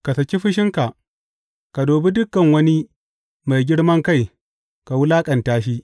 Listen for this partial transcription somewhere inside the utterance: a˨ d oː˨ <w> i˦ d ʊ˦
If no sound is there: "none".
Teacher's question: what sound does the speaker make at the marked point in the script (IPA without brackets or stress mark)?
b